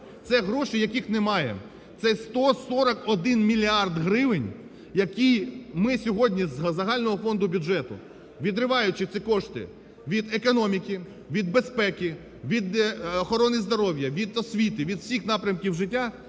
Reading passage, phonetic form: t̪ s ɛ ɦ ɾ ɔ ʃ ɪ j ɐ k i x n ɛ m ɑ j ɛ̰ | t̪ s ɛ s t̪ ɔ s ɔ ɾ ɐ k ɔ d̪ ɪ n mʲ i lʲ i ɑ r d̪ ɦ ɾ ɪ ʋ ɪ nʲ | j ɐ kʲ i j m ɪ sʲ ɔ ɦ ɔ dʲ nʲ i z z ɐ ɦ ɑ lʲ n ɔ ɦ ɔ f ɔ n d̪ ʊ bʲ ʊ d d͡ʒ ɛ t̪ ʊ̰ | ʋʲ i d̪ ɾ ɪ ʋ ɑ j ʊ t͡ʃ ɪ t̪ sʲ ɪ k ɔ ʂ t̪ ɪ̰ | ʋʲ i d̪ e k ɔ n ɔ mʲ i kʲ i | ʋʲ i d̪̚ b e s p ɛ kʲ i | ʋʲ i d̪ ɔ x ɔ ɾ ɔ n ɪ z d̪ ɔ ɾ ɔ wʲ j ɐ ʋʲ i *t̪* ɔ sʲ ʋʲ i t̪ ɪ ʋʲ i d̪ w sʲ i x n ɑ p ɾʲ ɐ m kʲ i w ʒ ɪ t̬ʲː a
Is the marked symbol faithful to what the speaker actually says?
no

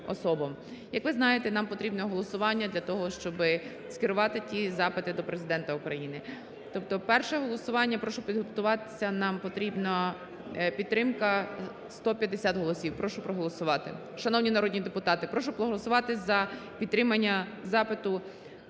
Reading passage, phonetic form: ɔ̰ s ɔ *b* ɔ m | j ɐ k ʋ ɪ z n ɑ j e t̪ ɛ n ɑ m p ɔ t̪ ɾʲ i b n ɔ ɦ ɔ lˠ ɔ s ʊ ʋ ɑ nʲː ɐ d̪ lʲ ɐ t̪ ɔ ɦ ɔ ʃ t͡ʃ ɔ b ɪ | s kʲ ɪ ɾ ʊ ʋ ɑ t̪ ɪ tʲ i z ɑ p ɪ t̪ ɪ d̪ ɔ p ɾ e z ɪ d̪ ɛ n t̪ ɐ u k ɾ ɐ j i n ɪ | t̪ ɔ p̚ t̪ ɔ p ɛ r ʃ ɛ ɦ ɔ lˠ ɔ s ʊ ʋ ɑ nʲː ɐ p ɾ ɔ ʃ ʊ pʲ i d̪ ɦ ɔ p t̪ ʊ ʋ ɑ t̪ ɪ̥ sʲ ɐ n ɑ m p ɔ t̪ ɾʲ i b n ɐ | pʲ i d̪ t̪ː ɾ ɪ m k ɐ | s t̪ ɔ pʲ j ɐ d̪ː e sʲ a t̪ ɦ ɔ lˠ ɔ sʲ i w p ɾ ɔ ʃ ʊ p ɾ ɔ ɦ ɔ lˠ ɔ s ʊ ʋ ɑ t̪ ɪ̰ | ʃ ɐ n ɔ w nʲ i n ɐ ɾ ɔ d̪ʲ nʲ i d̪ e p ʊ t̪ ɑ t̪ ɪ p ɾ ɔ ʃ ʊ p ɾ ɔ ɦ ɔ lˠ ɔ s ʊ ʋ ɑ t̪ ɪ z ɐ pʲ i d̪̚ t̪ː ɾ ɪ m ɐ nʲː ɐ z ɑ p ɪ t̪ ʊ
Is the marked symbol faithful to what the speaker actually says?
yes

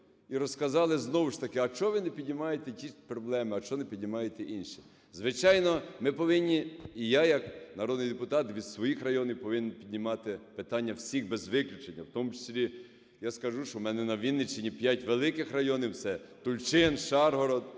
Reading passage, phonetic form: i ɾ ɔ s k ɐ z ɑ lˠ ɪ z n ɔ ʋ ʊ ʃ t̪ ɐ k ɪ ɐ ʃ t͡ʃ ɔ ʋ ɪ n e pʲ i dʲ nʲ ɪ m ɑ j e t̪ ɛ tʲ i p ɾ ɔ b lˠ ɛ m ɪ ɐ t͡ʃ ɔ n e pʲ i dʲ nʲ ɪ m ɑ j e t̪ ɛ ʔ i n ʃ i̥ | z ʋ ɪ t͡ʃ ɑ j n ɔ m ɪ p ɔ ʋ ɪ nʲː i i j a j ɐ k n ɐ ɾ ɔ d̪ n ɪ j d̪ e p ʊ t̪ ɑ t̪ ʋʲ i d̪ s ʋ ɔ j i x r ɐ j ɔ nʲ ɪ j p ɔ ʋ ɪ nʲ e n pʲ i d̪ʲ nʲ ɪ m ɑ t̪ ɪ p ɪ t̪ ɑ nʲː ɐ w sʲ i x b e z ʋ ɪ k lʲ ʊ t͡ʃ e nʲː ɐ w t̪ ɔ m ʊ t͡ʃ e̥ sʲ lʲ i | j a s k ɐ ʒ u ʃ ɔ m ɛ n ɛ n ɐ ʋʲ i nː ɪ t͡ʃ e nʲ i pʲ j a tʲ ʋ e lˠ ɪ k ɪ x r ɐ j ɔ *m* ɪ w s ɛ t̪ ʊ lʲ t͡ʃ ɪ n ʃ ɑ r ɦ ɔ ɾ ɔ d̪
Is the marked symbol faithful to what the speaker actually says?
no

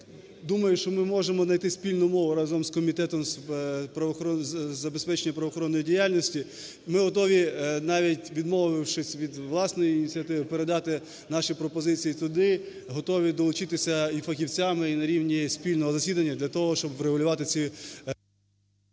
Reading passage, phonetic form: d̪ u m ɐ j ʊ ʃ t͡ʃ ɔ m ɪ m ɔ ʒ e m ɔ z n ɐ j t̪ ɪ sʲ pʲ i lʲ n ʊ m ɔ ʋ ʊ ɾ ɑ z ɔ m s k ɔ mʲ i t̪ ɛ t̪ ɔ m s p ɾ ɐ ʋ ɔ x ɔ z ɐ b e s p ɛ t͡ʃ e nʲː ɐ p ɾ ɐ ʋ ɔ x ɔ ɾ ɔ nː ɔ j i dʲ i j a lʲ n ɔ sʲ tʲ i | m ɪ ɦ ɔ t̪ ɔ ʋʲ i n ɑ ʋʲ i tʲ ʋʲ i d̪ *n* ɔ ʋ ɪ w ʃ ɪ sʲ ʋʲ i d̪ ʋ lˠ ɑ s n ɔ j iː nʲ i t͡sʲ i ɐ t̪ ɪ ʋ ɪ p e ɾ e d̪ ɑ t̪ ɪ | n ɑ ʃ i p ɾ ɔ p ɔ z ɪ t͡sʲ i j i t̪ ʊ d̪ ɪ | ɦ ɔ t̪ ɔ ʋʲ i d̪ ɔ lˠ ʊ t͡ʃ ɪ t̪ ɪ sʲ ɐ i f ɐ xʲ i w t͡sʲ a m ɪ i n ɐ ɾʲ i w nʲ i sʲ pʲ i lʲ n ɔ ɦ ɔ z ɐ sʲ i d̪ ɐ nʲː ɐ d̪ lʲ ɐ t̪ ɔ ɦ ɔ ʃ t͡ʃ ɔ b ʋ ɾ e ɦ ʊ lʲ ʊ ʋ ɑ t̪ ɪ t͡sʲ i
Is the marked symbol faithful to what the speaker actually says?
no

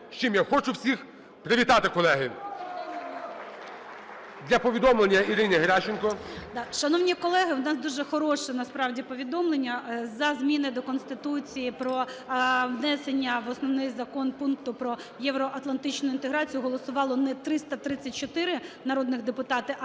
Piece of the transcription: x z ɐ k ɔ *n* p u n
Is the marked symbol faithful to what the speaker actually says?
yes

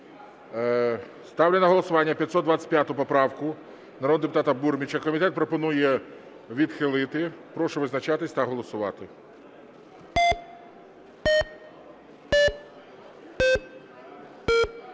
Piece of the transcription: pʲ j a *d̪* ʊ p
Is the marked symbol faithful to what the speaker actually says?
no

